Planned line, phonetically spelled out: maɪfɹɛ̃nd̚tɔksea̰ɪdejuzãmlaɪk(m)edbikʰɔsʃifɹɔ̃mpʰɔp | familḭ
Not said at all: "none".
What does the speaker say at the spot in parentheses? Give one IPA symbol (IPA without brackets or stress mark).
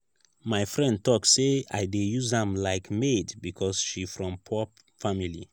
m